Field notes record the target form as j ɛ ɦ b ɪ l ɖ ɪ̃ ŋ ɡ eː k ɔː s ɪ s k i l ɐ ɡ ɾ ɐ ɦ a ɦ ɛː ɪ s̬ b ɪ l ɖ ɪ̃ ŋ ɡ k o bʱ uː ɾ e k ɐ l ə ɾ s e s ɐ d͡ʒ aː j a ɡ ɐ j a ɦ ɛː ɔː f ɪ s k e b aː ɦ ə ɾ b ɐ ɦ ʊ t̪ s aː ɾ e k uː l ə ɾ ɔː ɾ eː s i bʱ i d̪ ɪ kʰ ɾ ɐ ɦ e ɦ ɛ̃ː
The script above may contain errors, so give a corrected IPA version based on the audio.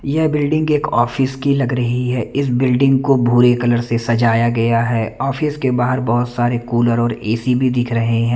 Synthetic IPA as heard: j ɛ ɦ b ɪ l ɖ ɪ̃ ŋ ɡ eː k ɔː f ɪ s k i l ɐ ɡ ɾ ɐ ɦ i ɦ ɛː ɪ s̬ b ɪ l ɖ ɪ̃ ŋ ɡ k o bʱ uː ɾ e k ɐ l ə ɾ s e s ɐ d͡ʒ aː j a ɡ ɐ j a ɦ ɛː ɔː f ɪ s k e b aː ɦ ə ɾ b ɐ ɦ ʊ t̪ s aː ɾ e k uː l ə ɾ ɔː ɾ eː s i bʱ i d̪ ɪ kʰ ɾ ɐ ɦ e ɦ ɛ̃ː